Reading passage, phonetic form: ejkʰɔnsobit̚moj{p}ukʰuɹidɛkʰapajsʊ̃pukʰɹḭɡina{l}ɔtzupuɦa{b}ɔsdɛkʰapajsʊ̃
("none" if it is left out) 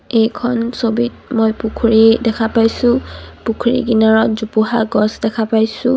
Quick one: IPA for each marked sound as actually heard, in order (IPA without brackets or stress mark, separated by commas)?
p, ɹ, ɡ